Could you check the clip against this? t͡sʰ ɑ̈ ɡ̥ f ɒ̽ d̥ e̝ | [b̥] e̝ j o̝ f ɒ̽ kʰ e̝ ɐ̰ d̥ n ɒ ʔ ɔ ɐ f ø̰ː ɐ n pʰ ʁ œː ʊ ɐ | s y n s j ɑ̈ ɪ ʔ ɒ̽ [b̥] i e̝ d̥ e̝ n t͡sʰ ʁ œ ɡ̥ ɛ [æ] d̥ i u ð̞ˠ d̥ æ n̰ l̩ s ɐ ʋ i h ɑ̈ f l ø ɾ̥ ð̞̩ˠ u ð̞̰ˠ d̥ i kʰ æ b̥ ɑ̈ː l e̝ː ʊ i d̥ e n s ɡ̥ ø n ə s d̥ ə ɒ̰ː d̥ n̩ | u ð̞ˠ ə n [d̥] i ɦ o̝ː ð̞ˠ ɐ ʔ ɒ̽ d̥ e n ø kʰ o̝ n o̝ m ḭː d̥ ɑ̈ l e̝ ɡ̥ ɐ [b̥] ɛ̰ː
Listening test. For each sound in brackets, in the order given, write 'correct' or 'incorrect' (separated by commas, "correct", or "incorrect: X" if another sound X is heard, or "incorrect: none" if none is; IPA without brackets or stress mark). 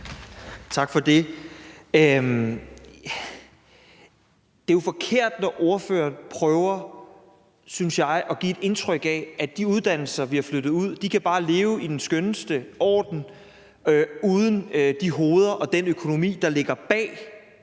incorrect: d̥, incorrect: ɡ̥, correct, correct, correct